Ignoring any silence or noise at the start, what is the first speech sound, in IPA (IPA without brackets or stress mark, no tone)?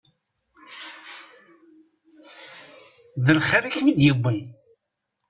ð